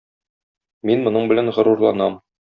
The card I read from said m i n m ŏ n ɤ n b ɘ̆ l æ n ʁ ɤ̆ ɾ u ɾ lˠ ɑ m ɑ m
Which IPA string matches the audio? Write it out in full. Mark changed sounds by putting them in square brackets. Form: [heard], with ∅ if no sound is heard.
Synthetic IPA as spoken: m i n m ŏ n ɤ [ɴ] b ɘ̆ l æ n ʁ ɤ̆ ɾ u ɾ lˠ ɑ [n] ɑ m